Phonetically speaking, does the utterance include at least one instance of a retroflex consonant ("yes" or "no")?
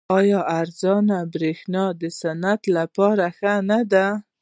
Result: no